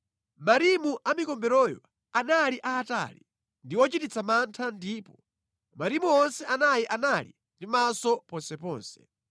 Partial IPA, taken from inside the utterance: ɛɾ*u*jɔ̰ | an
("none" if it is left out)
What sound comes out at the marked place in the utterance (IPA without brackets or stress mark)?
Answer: ɔ